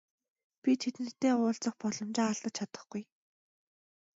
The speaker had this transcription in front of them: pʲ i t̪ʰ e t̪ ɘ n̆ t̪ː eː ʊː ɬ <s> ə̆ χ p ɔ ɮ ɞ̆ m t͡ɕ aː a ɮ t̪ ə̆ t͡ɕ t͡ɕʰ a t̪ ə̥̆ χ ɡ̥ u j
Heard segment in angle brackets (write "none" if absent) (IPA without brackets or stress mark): t͡s